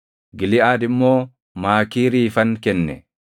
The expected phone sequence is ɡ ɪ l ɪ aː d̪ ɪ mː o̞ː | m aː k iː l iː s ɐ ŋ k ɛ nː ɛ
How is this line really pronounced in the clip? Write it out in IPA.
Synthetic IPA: ɡ ɪ l ɪ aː d̪ ɪ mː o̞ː | m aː k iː ɾ iː f ɐ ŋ k ɛ nː ɛ